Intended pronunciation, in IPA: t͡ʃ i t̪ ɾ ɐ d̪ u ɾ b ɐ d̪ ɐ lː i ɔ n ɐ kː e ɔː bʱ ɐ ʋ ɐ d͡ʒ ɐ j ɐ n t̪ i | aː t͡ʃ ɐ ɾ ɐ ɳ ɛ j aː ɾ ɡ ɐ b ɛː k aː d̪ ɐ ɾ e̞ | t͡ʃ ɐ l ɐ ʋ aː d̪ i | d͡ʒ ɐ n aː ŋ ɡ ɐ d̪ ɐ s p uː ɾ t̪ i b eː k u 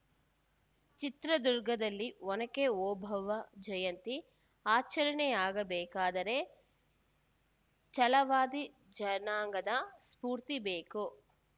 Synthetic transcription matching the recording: t͡ʃ i t̪ ɾ ɐ d̪ u ɾ ɡ ɐ d̪ ɐ lː i ɔ n ɐ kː e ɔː bʱ ɐ ʋ ɐ d͡ʒ ɐ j ɐ n t̪ i | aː t͡ʃ ɐ ɾ ɐ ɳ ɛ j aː ɡ ɐ b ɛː k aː d̪ ɐ ɾ e̞ | t͡ʃ ɐ l ɐ ʋ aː d̪ i | d͡ʒ ɐ n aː ŋ ɡ ɐ d̪ ɐ s p uː ɾ t̪ i b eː k u